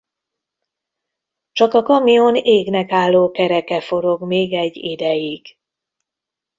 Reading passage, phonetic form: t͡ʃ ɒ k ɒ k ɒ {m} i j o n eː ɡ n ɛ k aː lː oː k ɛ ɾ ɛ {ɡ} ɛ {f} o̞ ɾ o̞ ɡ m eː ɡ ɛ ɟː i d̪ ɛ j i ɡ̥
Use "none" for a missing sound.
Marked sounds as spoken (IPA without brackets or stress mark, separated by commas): m, k, f